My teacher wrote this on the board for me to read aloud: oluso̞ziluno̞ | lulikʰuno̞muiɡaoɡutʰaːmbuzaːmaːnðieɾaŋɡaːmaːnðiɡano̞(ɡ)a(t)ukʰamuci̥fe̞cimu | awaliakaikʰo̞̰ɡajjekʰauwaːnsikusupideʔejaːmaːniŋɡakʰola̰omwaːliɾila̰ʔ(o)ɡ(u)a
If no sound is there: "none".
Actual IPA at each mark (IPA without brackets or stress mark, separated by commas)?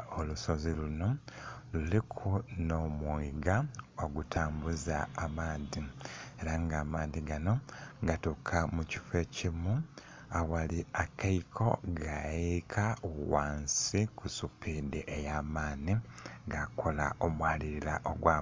ɡ, t, o, w